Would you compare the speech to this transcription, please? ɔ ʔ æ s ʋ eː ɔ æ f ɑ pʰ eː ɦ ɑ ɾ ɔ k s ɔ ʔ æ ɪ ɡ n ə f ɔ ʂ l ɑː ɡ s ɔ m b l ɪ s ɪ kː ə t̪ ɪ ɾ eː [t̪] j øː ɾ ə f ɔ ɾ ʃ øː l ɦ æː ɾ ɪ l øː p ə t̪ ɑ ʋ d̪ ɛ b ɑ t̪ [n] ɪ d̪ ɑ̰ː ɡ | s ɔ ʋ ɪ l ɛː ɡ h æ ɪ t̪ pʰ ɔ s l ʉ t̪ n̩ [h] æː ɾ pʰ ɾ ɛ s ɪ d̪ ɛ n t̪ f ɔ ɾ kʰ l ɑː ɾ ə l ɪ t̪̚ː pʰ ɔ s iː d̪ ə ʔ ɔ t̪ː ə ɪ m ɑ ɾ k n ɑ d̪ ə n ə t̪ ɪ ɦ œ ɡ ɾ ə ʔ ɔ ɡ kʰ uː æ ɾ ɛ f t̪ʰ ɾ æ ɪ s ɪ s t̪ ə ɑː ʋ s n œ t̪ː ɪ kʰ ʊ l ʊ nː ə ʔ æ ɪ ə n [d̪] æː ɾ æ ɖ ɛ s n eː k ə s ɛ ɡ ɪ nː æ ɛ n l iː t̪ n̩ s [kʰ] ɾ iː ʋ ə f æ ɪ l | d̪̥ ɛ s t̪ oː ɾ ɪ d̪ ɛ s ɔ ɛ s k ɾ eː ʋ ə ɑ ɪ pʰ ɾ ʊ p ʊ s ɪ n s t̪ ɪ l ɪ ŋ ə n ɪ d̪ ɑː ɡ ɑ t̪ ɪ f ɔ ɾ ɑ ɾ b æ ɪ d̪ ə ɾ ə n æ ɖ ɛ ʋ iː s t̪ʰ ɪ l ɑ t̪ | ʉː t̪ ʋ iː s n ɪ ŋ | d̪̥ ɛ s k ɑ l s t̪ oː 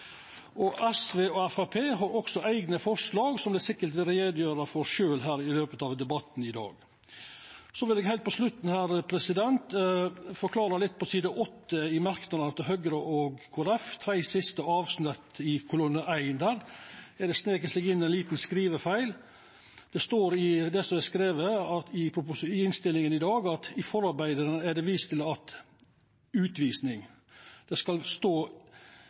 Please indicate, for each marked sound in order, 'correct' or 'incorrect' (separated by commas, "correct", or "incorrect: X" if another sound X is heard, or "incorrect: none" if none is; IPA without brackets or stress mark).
incorrect: d̪, correct, correct, correct, incorrect: k